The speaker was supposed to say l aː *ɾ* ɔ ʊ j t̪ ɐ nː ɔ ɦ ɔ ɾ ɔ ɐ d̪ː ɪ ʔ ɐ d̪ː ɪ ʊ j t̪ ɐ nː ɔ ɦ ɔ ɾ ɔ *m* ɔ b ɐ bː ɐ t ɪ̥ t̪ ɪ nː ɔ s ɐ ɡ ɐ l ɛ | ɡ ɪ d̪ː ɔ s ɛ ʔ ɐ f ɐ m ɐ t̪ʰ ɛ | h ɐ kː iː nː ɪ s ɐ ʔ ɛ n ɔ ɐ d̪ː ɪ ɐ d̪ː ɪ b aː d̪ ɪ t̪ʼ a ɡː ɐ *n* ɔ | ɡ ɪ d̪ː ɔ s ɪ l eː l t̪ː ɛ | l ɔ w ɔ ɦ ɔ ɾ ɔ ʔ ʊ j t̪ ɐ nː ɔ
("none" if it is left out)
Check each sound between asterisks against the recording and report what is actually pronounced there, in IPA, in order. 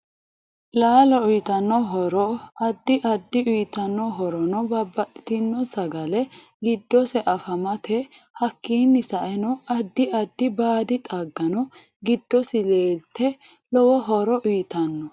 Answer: l, n, n

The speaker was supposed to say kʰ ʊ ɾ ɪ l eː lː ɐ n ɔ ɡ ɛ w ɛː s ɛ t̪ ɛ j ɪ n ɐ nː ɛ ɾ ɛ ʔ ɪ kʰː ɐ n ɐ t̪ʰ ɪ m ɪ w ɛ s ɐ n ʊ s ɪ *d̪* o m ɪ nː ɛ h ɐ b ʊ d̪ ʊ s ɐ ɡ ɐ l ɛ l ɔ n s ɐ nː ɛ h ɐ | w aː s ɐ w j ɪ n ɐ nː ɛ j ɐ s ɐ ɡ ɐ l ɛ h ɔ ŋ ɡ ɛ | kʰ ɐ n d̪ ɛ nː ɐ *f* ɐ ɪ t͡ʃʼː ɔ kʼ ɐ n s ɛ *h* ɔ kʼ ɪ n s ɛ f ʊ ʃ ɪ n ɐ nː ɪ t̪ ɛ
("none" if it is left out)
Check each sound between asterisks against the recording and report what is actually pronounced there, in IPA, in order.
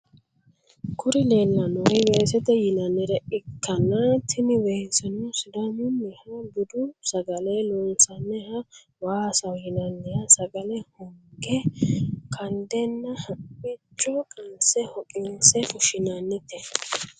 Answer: d̪, h, h

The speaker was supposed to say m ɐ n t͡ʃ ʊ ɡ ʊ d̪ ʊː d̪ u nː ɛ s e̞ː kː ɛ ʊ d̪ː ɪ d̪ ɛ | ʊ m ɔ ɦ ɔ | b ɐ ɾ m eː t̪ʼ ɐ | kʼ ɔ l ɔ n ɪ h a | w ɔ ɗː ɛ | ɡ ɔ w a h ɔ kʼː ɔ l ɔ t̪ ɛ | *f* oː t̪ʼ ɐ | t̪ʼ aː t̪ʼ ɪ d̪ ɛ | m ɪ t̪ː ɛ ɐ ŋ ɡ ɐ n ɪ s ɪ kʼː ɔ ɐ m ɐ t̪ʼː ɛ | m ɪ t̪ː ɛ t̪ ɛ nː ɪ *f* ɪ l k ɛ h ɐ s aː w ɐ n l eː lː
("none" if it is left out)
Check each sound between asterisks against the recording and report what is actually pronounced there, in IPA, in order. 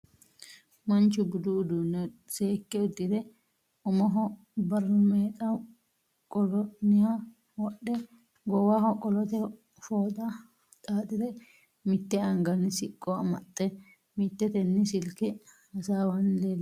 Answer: f, s

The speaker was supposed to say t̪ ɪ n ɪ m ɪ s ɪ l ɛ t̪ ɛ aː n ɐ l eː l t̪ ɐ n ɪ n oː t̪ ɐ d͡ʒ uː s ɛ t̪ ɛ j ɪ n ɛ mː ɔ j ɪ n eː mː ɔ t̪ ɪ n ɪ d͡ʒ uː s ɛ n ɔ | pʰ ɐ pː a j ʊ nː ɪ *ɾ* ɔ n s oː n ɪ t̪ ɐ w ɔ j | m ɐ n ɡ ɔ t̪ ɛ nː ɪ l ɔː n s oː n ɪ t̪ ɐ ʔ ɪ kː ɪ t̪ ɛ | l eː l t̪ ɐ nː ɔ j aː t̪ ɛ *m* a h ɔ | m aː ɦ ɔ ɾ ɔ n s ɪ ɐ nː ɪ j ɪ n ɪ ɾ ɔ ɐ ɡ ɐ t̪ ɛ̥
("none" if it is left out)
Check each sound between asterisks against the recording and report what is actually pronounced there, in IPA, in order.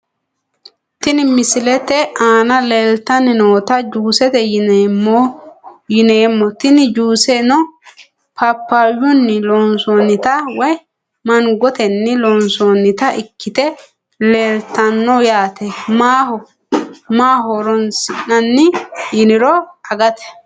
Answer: l, m

